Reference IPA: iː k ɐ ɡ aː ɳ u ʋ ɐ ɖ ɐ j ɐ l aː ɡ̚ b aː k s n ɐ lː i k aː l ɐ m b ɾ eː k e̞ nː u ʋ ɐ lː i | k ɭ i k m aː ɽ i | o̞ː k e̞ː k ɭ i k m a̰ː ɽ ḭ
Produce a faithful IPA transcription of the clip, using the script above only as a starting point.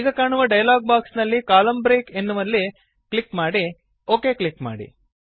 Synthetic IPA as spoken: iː ɡ ɐ k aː ɳ u ʋ ɐ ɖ ɐ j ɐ l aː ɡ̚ b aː k s n ɐ lː i k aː l ɐ m b ɾ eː k e̞ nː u ʋ ɐ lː i | k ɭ i k m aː ɽ i | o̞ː k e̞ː k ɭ i k m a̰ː ɽ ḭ

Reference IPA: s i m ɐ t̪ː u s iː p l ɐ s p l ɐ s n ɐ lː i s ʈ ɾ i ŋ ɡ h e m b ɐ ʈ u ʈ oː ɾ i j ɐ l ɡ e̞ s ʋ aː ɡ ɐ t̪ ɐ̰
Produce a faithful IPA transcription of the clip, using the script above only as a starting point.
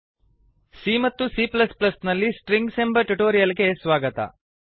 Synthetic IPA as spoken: s i m ɐ t̪ː u s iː p l ɐ s p l ɐ s n ɐ lː i s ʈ ɾ i ŋ ɡ s e m b ɐ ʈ u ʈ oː ɾ i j ɐ l ɡ e̞ s ʋ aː ɡ ɐ t̪ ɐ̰

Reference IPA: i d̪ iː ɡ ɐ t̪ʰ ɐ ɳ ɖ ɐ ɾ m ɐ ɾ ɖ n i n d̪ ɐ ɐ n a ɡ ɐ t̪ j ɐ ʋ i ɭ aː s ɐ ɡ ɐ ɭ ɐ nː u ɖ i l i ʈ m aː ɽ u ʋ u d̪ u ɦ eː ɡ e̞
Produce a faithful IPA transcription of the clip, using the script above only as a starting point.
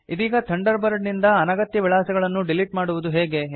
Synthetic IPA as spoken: i d̪ iː ɡ ɐ t̪ʰ ɐ ɳ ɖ ɐ ɾ b ɐ ɾ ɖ n i n d̪ ɐ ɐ n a ɡ ɐ t̪ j ɐ ʋ i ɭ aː s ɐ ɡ ɐ ɭ ɐ nː u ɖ i l i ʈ m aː ɽ u ʋ u d̪ u ɦ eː ɡ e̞

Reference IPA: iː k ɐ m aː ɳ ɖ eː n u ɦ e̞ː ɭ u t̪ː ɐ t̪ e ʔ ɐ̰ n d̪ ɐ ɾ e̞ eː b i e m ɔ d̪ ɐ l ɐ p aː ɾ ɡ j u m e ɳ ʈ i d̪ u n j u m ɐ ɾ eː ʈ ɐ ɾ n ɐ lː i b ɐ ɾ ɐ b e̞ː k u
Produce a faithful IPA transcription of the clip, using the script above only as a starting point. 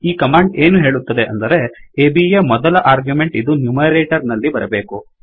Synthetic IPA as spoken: iː k ɐ m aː ɳ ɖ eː n u ɦ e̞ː ɭ u t̪ː ɐ d̪ e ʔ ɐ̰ n d̪ ɐ ɾ e̞ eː b i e m ɔ d̪ ɐ l ɐ ʔ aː ɾ ɡ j u m e ɳ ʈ i d̪ u n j u m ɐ ɾ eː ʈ ɐ ɾ n ɐ lː i b ɐ ɾ ɐ b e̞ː k u

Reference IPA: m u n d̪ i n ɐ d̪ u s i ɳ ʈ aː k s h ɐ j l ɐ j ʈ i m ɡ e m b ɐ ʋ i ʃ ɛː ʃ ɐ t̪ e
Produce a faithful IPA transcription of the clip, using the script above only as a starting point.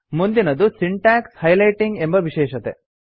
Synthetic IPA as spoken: m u n d̪ i n ɐ d̪ u s i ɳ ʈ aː k s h ɐ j l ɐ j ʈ i ŋ ɡ e m b ɐ ʋ i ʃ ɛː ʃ ɐ t̪ e

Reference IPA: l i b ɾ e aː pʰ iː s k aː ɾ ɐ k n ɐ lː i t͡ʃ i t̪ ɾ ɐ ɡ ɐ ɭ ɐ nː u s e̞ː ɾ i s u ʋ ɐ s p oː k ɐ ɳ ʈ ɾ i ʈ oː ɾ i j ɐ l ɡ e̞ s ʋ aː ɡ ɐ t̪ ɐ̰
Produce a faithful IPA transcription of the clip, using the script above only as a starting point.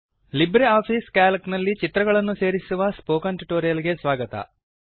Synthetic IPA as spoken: l i b ɾ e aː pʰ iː s k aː l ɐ k n ɐ lː i t͡ʃ i t̪ ɾ ɐ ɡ ɐ ɭ ɐ nː u s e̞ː ɾ i s u ʋ ɐ s p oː k ɐ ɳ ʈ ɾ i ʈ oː ɾ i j ɐ l ɡ e̞ s ʋ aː ɡ ɐ t̪ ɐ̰

